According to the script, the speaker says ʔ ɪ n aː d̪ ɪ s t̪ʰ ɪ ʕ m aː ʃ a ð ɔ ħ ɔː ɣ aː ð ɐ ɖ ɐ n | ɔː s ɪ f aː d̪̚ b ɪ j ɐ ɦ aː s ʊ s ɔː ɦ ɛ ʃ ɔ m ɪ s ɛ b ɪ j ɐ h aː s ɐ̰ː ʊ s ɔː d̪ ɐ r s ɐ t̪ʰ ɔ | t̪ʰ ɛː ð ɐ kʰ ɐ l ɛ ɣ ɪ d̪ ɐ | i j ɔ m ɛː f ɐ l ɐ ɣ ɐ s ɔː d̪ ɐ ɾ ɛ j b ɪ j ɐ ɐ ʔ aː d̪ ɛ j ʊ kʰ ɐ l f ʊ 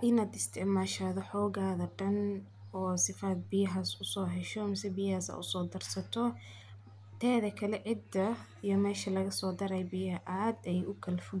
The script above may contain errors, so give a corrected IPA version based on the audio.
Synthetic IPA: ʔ ɪ n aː d̪ ɪ s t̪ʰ ɪ ʕ m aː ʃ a ð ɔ ħ ɔː ɣ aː ð ɐ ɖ ɐ n | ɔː s ɪ f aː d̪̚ b ɪ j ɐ ɦ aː s ʊ s ɔː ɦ ɛ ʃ ɔ m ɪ s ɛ b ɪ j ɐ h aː s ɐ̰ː ʊ s ɔː d̪ ɐ r s ɐ t̪ʰ ɔ | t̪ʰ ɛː ð ɐ kʰ ɐ l ɛ ʕ ɪ d̪ ɐ | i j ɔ m ɛː ʃ ɐ l ɐ ɣ ɐ s ɔː d̪ ɐ ɾ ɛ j b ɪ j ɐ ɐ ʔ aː d̪ ɛ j ʊ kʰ ɐ l f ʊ